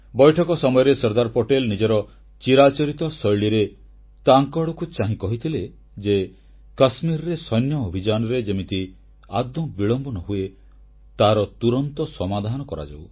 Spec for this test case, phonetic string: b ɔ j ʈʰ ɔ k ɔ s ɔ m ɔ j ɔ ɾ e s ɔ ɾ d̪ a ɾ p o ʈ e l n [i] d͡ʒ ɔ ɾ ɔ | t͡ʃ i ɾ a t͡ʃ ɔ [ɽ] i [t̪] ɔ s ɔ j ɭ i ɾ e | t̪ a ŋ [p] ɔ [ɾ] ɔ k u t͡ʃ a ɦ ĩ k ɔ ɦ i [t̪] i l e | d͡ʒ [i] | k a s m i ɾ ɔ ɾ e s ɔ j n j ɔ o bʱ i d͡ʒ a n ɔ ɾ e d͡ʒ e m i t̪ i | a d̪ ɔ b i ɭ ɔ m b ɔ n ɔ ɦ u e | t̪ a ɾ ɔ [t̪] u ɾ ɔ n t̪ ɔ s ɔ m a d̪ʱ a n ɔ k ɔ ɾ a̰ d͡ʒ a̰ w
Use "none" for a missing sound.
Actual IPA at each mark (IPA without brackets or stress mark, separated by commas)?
i, ɾ, t̪, k, ɽ, t̪ʰ, e, t̪